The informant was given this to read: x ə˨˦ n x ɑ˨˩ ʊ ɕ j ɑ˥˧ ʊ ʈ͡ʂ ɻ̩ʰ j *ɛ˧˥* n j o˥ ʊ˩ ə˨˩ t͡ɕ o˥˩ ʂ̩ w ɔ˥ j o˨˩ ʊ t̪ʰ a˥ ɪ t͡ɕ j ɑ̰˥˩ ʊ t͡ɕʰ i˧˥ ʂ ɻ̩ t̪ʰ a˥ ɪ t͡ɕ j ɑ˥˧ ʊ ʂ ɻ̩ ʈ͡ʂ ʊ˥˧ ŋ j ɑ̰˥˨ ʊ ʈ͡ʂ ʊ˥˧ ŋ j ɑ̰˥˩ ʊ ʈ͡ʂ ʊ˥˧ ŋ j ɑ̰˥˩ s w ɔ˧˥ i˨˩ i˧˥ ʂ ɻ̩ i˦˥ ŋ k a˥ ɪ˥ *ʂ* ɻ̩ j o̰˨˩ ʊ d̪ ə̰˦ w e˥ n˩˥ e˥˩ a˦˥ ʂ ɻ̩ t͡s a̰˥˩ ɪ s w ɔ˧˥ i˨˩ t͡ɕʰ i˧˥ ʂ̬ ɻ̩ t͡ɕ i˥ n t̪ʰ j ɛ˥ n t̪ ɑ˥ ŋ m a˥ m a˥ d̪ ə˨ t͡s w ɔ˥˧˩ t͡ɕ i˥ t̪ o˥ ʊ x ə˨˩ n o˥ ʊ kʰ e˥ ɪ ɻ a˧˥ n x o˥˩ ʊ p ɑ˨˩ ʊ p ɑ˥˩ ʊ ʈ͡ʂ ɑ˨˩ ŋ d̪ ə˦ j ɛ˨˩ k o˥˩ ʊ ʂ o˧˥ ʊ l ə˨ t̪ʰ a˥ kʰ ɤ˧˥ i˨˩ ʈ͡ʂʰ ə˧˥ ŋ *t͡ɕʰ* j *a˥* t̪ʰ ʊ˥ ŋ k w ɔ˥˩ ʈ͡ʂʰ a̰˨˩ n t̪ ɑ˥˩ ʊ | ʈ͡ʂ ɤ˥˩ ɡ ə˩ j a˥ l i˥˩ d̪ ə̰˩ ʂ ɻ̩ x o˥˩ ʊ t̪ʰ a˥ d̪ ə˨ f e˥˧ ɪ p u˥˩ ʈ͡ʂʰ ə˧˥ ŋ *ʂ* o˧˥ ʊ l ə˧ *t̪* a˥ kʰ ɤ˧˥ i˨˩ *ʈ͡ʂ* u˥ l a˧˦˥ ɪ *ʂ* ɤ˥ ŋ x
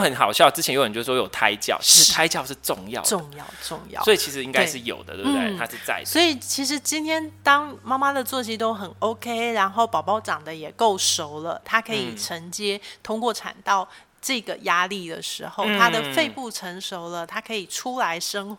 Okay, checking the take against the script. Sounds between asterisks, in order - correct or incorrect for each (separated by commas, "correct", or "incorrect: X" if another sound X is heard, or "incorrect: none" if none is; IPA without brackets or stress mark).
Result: incorrect: ɛ˧, correct, incorrect: t͡ɕ, incorrect: ɛ˥, correct, incorrect: t̪ʰ, incorrect: ʈ͡ʂʰ, correct